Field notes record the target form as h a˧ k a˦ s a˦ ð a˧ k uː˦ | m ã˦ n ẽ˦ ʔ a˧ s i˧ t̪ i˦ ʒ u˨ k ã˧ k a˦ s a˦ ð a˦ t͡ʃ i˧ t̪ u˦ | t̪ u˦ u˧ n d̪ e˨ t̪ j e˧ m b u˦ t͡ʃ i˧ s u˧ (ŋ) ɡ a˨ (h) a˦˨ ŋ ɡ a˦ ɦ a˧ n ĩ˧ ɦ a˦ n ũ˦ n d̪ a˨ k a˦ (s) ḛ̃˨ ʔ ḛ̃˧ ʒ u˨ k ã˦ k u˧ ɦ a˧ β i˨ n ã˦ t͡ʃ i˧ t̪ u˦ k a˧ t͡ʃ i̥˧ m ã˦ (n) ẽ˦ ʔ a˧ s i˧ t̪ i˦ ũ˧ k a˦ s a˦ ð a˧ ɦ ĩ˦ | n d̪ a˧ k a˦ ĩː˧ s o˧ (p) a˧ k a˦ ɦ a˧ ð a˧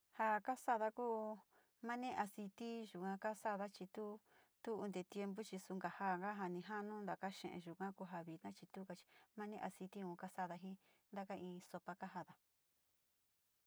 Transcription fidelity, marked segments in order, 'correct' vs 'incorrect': correct, correct, incorrect: ʃ, correct, correct

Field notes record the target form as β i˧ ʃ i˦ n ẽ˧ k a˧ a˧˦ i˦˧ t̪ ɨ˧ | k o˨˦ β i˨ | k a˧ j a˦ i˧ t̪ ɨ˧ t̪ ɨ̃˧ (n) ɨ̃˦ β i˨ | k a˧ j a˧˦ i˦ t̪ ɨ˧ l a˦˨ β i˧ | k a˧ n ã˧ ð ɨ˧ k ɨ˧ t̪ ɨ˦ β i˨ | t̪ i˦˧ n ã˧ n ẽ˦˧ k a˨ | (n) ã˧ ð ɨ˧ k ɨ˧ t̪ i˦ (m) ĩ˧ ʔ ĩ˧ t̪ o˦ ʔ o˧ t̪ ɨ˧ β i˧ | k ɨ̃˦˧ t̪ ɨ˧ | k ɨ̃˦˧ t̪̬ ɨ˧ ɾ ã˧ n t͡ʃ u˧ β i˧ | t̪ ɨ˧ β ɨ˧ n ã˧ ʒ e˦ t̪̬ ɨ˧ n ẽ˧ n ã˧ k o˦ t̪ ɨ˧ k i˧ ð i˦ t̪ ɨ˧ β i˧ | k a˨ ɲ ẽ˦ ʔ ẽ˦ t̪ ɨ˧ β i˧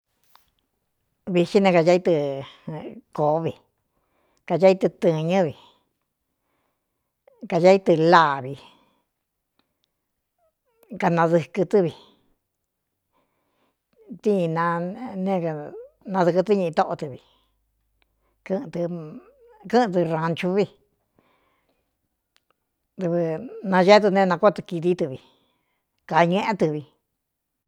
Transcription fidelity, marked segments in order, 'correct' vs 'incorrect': incorrect: ɲ, correct, incorrect: ɲ

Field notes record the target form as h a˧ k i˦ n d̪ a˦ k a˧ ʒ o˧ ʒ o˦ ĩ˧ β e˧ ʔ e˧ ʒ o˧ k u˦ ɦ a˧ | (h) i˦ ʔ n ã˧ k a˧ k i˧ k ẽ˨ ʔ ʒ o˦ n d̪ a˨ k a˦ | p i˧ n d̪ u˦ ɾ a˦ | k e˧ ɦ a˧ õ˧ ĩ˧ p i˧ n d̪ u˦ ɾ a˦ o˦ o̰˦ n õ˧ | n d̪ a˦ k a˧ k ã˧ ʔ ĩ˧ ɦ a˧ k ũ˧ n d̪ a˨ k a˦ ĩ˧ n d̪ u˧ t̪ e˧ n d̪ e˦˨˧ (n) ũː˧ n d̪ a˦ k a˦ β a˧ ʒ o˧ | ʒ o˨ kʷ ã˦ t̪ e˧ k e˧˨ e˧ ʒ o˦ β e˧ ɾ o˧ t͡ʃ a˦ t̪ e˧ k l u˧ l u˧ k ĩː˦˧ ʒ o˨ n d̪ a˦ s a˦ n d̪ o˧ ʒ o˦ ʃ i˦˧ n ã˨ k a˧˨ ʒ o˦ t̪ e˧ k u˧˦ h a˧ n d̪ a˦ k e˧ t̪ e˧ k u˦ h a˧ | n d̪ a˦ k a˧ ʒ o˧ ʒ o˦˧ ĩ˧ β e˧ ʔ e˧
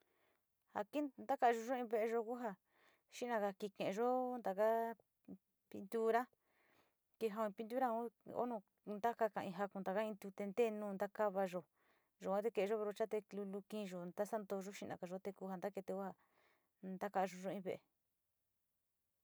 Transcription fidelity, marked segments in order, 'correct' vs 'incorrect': incorrect: ʃ, correct

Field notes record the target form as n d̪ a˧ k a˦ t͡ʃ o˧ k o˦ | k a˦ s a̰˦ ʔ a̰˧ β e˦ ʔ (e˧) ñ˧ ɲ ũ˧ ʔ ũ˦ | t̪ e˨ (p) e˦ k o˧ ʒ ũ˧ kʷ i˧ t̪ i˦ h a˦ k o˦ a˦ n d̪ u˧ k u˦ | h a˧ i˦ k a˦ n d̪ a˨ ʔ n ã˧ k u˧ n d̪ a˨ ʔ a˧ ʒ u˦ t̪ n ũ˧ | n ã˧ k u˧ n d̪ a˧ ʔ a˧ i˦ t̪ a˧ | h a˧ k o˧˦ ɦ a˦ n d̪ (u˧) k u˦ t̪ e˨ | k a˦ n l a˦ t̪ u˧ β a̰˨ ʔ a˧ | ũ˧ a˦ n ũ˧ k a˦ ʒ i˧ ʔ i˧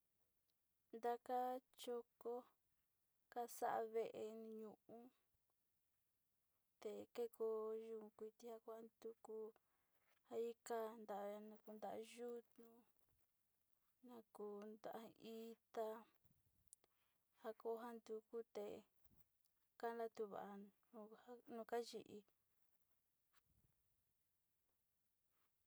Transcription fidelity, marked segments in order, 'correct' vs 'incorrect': correct, incorrect: k, correct

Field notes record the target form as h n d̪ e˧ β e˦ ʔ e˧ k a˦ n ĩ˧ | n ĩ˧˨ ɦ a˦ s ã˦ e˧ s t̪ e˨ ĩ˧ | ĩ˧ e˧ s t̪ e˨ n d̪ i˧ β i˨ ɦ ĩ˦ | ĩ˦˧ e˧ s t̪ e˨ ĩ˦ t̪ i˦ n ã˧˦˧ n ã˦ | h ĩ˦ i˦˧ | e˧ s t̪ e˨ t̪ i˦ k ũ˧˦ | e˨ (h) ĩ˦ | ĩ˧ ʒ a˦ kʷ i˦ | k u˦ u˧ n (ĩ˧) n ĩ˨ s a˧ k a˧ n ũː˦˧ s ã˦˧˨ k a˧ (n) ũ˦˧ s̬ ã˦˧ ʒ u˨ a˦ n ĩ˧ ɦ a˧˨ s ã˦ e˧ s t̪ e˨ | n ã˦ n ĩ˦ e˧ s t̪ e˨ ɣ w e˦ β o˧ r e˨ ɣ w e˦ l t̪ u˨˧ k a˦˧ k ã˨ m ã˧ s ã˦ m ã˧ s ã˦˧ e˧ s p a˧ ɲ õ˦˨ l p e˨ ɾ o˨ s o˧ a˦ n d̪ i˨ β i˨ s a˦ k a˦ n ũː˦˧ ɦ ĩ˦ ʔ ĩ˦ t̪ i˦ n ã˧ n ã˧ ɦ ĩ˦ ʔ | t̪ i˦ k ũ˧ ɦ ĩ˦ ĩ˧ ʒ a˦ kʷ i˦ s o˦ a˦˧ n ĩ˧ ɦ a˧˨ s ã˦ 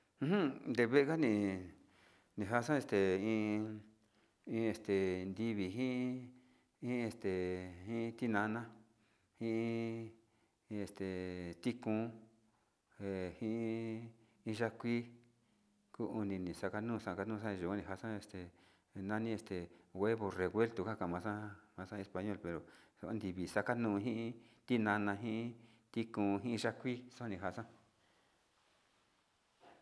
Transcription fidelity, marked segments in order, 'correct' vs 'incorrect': correct, correct, correct

